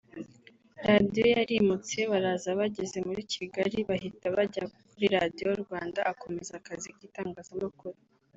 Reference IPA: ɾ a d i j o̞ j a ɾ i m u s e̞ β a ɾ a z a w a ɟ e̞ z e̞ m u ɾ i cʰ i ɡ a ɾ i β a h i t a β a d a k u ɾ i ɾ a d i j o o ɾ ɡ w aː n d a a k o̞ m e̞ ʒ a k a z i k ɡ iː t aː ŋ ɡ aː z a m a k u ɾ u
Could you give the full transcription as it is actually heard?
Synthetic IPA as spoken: ɾ a d i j o̞ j a ɾ i m u t͡s e̞ β a ɾ a z a β a ɟ e̞ z e̞ m u ɾ i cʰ i ɡ a ɾ i β a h i t a β a ɟ a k u ɾ i ɾ a d i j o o ɾ ɡ w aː n d a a k o̞ m e̞ z a k a z i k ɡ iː t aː ŋ ɡ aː z a m a k u ɾ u